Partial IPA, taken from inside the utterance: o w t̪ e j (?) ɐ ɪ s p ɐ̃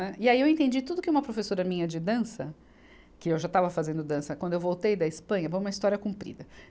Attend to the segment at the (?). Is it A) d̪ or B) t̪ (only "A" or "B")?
A